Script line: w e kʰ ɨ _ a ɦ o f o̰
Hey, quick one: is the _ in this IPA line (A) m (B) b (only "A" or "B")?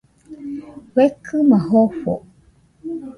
A